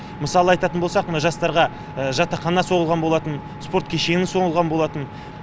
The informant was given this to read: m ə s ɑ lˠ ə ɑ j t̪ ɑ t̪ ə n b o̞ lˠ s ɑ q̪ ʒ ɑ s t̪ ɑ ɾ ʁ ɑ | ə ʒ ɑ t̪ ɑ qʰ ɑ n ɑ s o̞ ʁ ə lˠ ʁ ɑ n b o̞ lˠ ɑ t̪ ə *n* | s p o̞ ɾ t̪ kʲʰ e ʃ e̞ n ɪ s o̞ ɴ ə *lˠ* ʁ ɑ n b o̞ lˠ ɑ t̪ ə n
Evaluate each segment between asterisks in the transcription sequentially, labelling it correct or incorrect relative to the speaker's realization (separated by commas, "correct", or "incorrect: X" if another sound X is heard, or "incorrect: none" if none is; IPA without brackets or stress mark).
correct, correct